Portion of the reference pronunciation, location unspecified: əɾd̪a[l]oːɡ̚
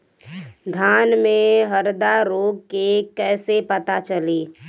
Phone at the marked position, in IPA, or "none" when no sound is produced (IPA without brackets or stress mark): ɾ